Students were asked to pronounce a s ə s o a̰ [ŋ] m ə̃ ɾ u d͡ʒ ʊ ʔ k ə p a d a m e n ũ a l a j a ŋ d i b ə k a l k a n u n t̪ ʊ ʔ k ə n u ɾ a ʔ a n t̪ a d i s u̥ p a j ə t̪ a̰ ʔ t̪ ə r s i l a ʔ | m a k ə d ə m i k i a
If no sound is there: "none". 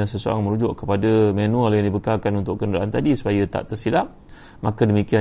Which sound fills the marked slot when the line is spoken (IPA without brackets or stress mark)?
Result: ŋ